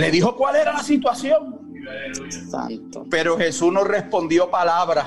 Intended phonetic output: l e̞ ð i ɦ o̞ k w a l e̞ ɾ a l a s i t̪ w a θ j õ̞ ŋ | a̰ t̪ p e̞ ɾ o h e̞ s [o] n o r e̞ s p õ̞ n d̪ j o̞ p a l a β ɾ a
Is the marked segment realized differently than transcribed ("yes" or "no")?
yes